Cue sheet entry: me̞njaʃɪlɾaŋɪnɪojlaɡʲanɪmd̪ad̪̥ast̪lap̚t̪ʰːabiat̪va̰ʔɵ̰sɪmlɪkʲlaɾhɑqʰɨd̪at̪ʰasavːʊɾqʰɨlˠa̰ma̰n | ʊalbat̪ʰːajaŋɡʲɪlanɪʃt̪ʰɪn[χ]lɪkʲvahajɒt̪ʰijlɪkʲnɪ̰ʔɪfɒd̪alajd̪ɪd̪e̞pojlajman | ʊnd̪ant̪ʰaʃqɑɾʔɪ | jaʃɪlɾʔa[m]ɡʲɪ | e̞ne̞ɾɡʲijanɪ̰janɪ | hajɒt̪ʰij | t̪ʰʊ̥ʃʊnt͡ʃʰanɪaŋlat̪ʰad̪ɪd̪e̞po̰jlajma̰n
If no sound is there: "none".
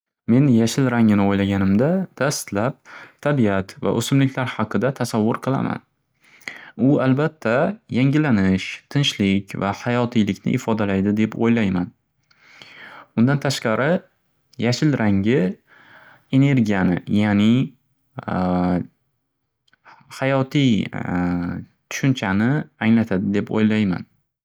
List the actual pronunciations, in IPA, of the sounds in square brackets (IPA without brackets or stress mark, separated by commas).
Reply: ʃ, ŋ